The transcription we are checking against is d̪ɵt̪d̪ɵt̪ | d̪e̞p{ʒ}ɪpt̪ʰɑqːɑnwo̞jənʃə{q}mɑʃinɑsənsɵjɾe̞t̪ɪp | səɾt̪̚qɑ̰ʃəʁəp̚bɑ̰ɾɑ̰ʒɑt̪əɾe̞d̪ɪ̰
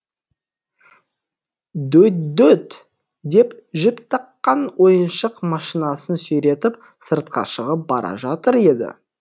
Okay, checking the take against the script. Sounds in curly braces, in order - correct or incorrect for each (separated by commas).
correct, correct